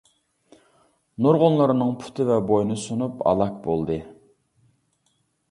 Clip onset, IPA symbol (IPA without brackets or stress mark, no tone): n